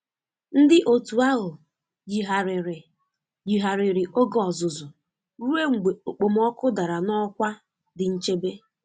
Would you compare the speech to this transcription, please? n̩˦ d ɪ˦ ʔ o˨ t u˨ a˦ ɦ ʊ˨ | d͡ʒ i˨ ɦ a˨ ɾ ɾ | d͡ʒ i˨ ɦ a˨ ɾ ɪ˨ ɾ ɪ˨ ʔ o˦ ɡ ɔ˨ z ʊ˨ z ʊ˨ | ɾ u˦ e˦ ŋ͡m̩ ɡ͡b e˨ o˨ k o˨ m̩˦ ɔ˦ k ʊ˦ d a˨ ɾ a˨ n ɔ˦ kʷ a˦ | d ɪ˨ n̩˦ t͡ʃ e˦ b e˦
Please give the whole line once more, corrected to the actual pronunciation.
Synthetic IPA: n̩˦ d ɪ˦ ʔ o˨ t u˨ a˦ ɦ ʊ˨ | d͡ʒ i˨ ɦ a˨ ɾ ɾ | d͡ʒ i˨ ɦ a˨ ɾ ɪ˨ ɾ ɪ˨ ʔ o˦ ɡ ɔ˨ z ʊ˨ z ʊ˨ | ɾ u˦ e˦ ŋ͡m̩ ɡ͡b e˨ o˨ k͡p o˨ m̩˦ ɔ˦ k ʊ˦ d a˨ ɾ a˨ n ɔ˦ kʷ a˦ | d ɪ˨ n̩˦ t͡ʃ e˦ b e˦